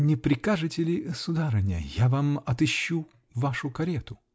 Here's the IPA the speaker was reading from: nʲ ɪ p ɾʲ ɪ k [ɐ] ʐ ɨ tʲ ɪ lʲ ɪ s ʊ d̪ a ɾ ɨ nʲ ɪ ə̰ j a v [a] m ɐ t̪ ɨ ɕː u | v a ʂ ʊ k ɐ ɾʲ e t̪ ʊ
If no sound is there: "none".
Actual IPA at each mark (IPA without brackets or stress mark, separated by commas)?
a, a